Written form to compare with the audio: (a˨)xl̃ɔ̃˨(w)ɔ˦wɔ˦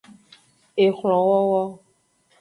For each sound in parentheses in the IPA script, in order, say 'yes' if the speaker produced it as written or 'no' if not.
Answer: no, yes

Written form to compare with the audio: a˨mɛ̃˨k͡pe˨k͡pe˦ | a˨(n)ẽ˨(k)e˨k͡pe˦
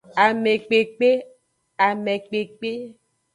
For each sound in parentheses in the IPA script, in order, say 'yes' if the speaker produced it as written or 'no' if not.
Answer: no, no

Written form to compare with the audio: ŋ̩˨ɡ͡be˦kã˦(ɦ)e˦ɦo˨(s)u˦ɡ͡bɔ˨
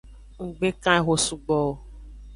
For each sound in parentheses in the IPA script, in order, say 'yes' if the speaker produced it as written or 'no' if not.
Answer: no, yes

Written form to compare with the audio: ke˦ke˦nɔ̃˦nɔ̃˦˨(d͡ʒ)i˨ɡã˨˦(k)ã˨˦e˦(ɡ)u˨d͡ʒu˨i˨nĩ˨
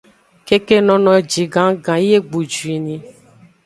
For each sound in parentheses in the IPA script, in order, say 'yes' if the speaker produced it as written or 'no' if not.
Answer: yes, no, no

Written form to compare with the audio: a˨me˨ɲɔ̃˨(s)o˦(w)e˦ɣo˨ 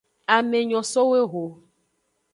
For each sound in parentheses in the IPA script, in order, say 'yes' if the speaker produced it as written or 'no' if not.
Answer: yes, yes

